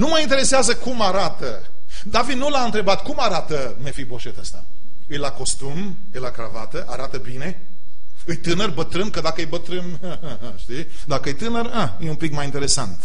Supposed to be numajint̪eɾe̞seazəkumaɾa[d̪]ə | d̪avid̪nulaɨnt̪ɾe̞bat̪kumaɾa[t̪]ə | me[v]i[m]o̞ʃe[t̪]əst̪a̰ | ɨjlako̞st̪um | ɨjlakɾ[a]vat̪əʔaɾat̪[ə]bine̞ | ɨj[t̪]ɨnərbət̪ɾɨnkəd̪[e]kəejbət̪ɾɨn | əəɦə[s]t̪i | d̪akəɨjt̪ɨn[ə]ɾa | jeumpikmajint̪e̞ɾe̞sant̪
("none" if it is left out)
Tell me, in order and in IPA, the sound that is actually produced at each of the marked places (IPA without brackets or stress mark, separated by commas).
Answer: t̪, t̪, f, b, t̪, a, ə, t̪, a, ʃ, ə